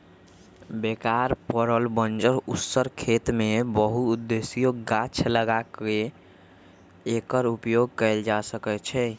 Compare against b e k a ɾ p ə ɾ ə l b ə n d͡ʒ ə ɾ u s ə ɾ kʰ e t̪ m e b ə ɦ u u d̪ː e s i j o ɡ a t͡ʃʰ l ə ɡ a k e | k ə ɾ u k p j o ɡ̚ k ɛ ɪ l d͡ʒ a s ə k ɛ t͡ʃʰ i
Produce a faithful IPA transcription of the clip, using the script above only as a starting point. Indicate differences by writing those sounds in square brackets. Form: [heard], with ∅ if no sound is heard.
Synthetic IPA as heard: b e k a ɾ p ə ɾ ə l b ə n d͡ʒ ə ɾ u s ə ɾ kʰ e t̪ m e b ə ɦ u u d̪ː e s i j o ɡ a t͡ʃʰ l ə ɡ a k e | k ə ɾ u [∅] p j o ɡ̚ k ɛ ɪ l d͡ʒ a s ə k ɛ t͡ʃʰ [ɛ]